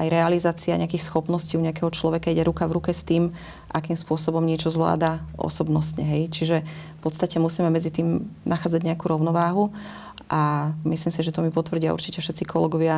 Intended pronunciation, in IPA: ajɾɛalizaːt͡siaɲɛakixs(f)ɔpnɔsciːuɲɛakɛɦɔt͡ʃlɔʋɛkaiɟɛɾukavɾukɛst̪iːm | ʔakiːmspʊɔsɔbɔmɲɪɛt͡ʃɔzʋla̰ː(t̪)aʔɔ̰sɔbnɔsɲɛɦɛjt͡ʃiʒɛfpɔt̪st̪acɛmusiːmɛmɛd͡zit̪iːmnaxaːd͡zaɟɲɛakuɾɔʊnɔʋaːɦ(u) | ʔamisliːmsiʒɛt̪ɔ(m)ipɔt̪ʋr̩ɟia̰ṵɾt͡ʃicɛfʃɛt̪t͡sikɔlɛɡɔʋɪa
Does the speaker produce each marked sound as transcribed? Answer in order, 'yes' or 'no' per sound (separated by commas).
no, no, yes, yes